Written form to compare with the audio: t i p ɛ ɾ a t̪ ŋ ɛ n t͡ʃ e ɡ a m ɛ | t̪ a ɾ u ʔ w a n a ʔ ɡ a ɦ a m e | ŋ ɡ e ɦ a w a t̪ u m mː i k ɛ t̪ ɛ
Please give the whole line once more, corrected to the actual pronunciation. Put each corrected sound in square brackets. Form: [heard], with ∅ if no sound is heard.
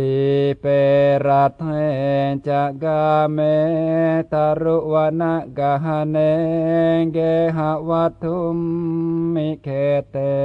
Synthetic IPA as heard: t i p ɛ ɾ a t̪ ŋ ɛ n t͡ʃ [a] ɡ a m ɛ | t̪ a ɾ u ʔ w a n a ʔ ɡ a ɦ a [n] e | ŋ ɡ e ɦ a w a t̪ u m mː i k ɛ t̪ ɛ